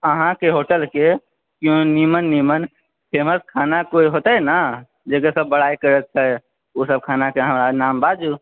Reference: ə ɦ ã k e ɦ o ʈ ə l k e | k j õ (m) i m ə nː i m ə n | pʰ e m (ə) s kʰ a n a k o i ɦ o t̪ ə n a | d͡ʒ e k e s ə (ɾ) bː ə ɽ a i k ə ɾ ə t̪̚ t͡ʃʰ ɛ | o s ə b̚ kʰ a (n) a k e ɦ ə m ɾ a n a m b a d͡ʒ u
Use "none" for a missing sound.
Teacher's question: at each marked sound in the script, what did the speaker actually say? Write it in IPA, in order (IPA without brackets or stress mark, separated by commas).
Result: n, ə, none, n